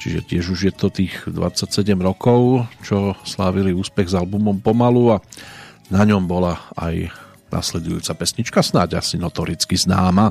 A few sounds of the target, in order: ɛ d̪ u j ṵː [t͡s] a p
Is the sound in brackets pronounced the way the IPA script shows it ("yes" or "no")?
yes